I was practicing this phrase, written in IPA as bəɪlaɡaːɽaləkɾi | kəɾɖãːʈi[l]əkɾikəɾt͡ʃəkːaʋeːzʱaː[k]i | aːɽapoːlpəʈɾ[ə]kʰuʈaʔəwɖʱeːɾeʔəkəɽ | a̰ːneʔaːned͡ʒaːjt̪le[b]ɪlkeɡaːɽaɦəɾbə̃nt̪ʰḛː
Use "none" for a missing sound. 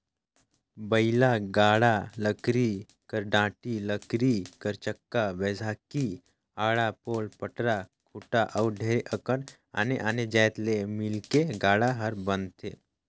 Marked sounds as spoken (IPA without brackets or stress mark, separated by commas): l, k, a, m